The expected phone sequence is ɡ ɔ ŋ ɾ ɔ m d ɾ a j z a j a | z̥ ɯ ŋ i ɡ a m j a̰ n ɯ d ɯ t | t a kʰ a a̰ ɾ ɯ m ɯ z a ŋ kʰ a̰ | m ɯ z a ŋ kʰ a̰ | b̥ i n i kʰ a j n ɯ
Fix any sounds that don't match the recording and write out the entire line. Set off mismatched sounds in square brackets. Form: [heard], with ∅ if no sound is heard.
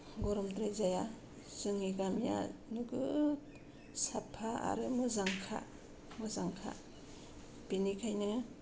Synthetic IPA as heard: ɡ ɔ [∅] ɾ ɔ m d ɾ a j z a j a | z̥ ɯ ŋ i ɡ a m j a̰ n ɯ [ɡ] ɯ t | [s] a [pʰ] a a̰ ɾ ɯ m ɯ z a ŋ kʰ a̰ | m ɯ z a ŋ kʰ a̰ | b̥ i n i kʰ a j n ɯ